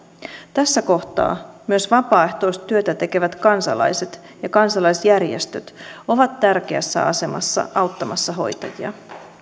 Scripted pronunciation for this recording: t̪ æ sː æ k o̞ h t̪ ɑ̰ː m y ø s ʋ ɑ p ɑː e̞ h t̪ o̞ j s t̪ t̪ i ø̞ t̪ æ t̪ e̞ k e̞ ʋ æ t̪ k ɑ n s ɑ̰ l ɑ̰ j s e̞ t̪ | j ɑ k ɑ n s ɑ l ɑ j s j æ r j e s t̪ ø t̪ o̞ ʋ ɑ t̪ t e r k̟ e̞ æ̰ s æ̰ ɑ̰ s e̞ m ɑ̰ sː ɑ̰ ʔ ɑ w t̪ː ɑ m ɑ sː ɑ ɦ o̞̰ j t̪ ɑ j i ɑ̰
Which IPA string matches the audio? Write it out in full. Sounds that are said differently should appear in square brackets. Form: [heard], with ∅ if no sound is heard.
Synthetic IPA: t̪ æ sː æ k o̞ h t̪ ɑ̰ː m y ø s ʋ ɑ p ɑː e̞ h t̪ o̞ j s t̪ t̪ [y] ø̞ t̪ æ t̪ e̞ k e̞ ʋ æ t̪ k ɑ n s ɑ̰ l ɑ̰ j s e̞ t̪ | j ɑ k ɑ n s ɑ l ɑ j s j æ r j e s t̪ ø t̪ o̞ ʋ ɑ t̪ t [æ] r k̟ e̞ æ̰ [sː] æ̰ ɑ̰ s e̞ m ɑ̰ sː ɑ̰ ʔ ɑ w t̪ː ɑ m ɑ sː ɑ ɦ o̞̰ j t̪ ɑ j i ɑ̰